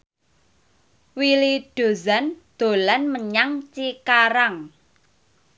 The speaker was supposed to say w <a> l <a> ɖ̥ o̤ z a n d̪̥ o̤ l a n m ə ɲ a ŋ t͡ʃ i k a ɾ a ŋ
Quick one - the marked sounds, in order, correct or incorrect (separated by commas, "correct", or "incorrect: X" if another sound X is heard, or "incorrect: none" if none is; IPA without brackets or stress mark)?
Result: incorrect: i, incorrect: i